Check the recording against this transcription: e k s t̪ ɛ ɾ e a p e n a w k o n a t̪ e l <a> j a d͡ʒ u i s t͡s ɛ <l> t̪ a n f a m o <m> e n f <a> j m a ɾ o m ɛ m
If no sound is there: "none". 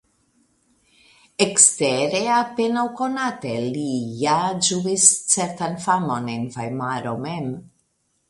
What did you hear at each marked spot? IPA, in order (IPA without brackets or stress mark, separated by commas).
i, ɾ, n, a